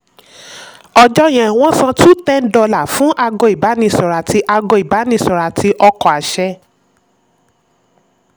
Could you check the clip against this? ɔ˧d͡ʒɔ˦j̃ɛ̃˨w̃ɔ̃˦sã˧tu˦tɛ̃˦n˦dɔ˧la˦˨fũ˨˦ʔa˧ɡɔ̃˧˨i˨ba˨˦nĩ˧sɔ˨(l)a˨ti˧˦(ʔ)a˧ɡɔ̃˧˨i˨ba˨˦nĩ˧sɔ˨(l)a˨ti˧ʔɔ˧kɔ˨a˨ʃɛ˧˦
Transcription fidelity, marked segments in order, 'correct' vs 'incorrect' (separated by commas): incorrect, correct, incorrect